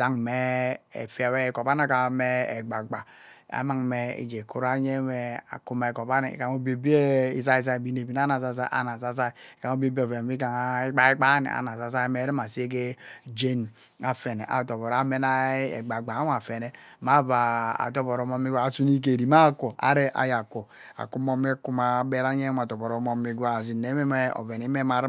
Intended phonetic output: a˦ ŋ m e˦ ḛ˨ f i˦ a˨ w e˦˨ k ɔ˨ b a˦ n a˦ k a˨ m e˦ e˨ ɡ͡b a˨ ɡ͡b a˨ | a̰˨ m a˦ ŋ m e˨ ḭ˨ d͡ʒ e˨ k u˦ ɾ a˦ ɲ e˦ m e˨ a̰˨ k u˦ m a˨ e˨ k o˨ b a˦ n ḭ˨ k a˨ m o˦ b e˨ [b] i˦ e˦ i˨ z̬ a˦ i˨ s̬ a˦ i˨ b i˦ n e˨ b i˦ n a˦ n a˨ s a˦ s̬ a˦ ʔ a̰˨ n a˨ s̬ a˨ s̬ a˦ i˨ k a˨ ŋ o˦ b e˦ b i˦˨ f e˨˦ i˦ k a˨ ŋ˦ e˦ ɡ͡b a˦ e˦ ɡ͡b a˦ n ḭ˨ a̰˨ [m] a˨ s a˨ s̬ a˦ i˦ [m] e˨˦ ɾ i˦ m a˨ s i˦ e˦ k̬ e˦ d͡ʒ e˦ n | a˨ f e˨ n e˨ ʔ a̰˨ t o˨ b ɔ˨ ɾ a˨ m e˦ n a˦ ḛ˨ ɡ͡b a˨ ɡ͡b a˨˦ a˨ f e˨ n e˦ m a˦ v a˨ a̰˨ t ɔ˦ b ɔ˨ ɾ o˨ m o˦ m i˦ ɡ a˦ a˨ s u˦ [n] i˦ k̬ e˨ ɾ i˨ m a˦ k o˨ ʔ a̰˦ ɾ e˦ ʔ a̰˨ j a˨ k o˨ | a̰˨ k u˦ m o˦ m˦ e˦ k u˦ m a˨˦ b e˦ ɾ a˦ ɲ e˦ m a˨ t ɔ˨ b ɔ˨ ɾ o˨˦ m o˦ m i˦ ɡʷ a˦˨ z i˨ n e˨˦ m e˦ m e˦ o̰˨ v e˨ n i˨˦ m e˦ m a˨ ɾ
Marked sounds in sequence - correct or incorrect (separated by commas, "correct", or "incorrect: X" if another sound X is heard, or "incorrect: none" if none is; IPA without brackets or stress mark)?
correct, incorrect: n, correct, correct